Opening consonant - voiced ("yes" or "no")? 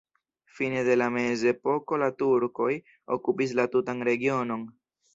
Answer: no